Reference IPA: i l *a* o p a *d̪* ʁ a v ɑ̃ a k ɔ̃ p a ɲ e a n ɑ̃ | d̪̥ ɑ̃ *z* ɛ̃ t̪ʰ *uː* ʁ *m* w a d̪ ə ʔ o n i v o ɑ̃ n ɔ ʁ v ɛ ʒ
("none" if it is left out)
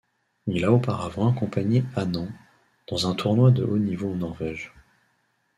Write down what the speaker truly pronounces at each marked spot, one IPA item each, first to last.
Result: a, none, z, u, n

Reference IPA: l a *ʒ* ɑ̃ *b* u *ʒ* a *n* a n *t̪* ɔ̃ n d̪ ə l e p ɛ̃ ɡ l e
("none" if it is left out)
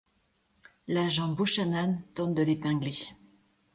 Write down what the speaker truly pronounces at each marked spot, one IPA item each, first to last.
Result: ʒ, b, ʃ, n, t̪

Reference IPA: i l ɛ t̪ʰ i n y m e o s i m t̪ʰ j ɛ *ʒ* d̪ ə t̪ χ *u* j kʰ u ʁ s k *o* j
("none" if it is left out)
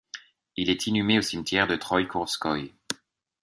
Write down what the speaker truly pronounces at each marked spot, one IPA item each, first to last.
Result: ʁ, ɔ, ɔ

